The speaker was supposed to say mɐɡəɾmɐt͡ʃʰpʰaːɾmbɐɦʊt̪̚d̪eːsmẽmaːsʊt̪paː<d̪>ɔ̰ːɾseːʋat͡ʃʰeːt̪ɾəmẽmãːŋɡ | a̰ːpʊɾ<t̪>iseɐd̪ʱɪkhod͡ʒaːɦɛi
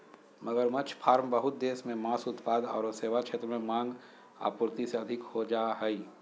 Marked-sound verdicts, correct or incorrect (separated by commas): correct, correct